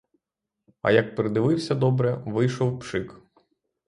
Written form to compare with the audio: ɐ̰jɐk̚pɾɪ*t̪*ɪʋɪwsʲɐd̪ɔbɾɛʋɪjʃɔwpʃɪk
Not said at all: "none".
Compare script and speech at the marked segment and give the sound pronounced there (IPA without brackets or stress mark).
d̪